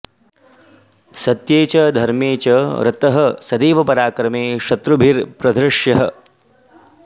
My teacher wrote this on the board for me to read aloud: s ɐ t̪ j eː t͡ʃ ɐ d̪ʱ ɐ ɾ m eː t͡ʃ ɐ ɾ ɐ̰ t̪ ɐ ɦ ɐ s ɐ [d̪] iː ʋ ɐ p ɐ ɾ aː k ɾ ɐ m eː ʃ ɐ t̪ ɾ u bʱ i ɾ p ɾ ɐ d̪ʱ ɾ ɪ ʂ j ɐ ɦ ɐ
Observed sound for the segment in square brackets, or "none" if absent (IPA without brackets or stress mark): d̪